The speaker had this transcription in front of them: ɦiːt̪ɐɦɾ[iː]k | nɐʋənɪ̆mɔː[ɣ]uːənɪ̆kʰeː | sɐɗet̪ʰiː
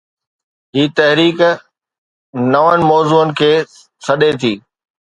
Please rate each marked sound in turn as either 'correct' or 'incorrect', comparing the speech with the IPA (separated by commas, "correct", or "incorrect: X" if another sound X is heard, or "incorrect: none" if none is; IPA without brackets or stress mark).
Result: correct, incorrect: z